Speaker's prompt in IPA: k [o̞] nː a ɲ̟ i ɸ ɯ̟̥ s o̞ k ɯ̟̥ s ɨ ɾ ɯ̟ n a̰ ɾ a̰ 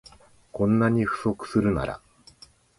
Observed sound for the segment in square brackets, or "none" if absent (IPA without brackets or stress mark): õ̞